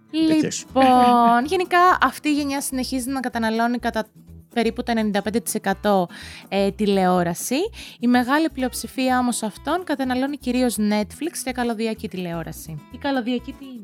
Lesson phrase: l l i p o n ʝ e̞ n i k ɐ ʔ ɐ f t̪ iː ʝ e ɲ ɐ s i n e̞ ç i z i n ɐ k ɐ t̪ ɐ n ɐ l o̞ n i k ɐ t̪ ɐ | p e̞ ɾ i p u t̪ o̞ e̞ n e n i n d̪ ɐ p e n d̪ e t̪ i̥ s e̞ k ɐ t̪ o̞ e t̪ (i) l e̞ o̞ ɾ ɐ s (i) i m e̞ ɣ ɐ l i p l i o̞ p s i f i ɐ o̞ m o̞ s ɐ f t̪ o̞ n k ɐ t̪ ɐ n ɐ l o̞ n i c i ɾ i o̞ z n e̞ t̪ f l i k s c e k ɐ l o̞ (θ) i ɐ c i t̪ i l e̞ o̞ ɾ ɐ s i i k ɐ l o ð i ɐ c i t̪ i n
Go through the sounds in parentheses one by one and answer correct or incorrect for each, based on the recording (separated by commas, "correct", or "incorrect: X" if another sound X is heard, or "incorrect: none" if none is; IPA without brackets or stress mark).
correct, correct, incorrect: ð